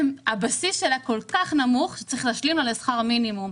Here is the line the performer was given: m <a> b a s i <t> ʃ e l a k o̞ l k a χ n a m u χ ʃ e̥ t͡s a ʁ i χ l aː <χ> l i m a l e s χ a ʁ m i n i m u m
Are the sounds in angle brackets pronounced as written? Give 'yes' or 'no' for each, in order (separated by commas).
yes, no, no